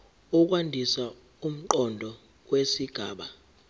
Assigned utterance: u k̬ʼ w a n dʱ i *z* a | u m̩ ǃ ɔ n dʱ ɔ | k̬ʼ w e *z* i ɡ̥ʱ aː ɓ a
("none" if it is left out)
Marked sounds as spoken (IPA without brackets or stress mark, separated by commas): s, s